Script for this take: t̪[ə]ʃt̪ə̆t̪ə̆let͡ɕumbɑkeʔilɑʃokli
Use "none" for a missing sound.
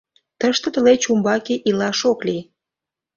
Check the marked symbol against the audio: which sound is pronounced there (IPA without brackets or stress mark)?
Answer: ə